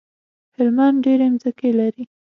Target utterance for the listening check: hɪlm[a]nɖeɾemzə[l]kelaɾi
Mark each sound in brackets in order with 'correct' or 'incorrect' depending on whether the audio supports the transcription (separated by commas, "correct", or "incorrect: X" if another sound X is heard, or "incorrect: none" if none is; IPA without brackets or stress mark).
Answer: correct, incorrect: none